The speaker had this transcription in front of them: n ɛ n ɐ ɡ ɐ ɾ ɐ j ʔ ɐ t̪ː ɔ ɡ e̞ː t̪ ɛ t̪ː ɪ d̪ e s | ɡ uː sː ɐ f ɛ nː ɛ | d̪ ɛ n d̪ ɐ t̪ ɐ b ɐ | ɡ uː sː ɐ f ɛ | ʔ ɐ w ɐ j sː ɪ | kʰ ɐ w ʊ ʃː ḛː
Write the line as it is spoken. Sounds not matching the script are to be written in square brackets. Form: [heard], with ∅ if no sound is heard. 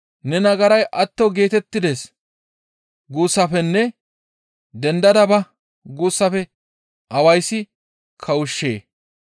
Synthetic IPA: n ɛ n ɐ ɡ ɐ ɾ ɐ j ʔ ɐ t̪ː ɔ ɡ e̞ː t̪ ɛ t̪ː ɪ d̪ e s | ɡ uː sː ɐ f ɛ nː ɛ | d̪ ɛ n d̪ ɐ [d̪] ɐ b ɐ | ɡ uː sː ɐ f ɛ | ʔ ɐ w ɐ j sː ɪ | kʰ ɐ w ʊ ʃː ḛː